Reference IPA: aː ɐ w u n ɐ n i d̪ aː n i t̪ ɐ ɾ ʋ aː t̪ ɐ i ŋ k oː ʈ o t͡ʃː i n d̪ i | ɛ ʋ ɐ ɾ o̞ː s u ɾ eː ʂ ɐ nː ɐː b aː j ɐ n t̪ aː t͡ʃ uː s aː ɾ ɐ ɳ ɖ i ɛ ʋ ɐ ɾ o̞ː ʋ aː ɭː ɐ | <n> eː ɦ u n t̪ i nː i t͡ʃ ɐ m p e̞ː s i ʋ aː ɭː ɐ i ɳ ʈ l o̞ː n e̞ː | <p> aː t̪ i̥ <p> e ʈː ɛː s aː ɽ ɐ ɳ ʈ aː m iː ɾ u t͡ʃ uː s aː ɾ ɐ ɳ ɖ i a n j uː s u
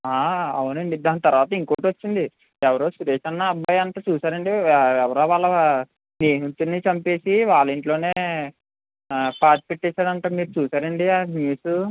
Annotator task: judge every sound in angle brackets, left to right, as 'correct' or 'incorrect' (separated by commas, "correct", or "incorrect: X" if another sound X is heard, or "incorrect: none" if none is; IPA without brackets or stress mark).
correct, correct, correct